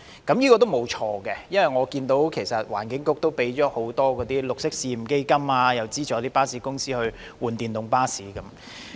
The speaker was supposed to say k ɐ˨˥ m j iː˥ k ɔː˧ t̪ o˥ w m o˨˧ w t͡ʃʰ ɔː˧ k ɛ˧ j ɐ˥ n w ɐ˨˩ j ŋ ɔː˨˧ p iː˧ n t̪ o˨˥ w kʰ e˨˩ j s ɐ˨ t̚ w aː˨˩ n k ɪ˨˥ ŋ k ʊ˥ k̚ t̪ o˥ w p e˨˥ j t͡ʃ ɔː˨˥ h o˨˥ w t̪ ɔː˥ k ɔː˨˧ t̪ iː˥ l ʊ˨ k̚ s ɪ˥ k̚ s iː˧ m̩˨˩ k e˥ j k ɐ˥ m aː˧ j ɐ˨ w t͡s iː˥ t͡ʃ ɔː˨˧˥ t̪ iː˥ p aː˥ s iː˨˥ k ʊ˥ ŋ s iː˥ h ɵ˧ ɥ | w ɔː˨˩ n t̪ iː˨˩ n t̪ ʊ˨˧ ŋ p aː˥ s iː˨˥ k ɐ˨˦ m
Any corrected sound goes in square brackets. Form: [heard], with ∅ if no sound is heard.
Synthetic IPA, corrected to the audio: k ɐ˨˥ m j iː˥ k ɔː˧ t̪ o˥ w m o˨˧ w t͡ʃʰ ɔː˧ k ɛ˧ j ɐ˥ n w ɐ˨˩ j ŋ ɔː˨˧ [k] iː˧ n t̪ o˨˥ w kʰ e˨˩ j s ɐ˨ t̚ w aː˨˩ n k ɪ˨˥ ŋ k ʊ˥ k̚ t̪ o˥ w p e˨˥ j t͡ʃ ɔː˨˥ h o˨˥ w t̪ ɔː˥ k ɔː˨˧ t̪ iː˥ l ʊ˨ k̚ s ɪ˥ k̚ s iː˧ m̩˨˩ k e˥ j k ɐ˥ m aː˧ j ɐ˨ w t͡s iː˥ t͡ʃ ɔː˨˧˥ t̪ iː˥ p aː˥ s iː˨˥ k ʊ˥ ŋ s iː˥ h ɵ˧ ɥ | w [uː˨˩] n t̪ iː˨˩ n t̪ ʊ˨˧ ŋ p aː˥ s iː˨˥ k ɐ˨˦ m